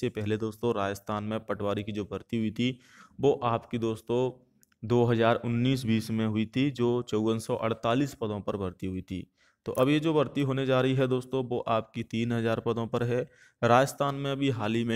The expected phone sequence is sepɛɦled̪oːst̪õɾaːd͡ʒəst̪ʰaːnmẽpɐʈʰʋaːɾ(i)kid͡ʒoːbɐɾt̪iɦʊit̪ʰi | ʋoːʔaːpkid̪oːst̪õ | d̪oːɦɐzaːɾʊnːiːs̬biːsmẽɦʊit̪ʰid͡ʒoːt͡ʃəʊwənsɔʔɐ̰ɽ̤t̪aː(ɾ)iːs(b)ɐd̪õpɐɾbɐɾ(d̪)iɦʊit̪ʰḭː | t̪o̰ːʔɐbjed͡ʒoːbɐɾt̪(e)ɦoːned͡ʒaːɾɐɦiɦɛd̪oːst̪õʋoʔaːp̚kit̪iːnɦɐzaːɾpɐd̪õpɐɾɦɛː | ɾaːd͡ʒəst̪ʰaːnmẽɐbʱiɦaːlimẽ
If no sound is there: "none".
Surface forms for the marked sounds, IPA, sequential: i, l, p, t̪, i

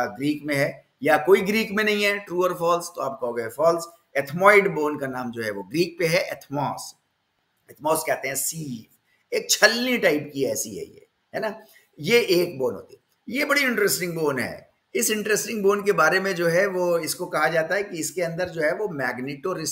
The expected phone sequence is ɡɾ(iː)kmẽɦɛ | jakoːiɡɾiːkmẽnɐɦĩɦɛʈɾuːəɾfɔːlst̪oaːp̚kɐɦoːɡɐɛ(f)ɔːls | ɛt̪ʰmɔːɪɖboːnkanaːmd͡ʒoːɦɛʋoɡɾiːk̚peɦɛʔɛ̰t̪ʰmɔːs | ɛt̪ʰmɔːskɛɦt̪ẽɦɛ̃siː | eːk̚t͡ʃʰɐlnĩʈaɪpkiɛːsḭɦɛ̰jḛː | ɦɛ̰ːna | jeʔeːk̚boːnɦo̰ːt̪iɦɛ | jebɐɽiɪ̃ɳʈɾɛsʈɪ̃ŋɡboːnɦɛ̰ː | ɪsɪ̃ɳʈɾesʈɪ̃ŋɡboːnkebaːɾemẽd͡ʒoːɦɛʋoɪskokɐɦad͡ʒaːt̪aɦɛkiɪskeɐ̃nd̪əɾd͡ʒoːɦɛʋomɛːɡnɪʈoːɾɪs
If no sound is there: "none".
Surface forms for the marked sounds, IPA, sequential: iː, f

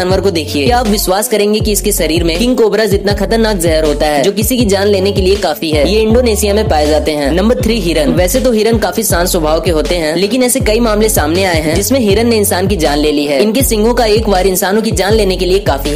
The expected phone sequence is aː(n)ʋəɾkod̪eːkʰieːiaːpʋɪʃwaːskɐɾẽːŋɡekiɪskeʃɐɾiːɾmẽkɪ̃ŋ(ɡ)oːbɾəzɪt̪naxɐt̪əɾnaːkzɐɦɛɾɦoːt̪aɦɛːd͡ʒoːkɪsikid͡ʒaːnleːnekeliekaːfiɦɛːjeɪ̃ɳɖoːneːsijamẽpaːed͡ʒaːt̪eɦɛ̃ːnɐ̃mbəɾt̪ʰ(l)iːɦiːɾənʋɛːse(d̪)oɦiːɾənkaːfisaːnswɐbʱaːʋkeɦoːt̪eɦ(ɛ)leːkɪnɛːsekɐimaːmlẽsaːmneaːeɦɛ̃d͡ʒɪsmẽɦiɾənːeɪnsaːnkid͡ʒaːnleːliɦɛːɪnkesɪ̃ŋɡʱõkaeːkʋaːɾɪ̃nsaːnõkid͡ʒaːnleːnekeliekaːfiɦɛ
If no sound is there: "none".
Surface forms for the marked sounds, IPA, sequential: n, k, ɾ, t̪, ɛ̃

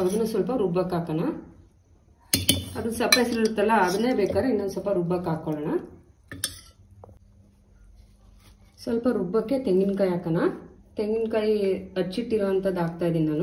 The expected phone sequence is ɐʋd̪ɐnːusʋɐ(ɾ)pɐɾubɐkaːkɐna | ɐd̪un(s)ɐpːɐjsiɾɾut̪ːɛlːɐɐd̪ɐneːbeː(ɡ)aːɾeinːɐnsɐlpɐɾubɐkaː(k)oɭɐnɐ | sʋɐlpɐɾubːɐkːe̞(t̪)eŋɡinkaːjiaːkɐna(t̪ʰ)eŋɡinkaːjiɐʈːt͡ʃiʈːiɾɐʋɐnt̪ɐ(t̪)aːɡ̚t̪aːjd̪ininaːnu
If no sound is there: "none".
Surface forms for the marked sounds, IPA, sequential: l, s, k, k, t̪, t̪, d̪

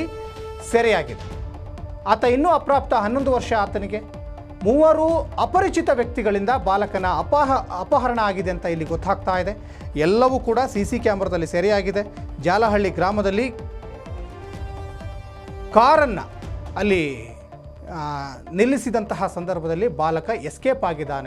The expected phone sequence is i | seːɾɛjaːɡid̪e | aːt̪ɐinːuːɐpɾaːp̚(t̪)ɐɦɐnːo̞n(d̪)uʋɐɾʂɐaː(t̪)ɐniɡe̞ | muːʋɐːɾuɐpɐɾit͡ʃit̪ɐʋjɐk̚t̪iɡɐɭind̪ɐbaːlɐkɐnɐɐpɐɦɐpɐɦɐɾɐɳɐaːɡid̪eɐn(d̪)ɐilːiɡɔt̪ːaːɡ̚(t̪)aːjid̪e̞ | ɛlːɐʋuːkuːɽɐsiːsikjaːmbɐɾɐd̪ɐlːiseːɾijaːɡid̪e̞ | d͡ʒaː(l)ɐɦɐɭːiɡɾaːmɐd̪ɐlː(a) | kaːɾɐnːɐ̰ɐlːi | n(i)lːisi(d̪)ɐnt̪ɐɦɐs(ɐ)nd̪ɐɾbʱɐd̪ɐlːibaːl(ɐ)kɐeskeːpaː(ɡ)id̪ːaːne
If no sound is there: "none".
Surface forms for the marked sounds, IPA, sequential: t̪, d̪, t̪, t̪, t̪, l, i, i, d̪, ɐ, ɐ, ɡ

